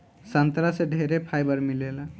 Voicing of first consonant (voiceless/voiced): voiceless